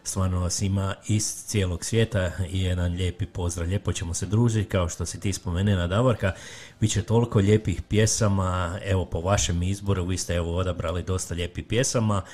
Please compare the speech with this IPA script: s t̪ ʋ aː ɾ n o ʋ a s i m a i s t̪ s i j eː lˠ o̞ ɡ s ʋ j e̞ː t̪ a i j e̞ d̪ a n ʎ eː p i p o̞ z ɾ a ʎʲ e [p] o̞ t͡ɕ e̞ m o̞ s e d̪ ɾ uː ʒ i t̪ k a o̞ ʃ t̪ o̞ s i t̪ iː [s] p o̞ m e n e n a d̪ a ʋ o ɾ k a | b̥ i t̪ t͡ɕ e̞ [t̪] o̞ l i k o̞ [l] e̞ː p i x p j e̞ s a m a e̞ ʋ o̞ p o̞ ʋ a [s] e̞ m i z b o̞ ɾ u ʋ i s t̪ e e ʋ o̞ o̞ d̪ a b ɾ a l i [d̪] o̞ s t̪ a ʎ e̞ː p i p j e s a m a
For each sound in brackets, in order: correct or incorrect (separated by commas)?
correct, correct, correct, incorrect, incorrect, correct